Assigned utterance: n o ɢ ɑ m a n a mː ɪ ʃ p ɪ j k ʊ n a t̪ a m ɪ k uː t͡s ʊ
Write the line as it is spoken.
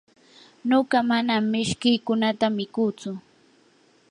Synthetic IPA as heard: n o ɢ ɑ m a n a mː ɪ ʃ k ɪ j k ʊ n a t̪ a m ɪ k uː t͡s ʊ